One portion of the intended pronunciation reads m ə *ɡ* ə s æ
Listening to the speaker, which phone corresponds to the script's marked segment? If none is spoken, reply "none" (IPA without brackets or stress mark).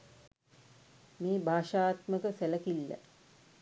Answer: k